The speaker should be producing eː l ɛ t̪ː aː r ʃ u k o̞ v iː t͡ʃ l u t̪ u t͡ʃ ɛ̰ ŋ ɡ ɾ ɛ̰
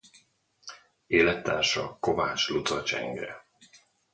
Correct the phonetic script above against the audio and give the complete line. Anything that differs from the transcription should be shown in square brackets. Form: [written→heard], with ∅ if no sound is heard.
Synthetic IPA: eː l ɛ t̪ː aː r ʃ [u→ɒ] k o̞ v [iː→aː] t͡ʃ l u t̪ [u→ɒ] t͡ʃ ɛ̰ ŋ ɡ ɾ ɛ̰